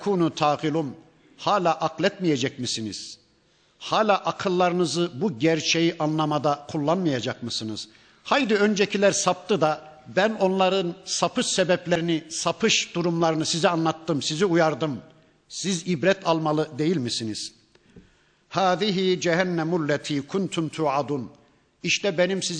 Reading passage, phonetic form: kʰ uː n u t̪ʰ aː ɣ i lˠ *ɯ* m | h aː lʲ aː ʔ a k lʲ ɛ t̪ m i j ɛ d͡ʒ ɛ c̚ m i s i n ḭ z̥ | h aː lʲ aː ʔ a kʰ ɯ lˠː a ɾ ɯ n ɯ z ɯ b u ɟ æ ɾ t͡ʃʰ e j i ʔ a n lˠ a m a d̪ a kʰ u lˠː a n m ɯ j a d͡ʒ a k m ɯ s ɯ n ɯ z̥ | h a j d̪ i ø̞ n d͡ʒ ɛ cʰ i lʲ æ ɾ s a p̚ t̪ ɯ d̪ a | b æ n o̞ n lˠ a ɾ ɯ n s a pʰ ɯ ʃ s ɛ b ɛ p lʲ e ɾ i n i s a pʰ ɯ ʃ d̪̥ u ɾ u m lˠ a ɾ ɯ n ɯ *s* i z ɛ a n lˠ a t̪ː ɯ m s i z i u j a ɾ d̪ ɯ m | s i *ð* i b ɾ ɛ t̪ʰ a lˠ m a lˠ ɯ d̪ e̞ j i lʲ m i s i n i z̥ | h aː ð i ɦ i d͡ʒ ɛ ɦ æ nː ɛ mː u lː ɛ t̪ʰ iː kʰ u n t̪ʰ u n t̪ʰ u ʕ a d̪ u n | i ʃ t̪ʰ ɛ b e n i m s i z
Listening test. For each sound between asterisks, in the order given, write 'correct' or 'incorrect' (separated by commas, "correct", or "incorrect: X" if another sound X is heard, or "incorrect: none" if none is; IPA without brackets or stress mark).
incorrect: u, correct, incorrect: z